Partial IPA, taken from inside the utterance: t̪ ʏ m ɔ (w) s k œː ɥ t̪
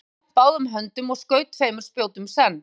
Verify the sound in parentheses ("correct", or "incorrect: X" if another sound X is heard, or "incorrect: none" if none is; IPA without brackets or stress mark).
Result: incorrect: ɣ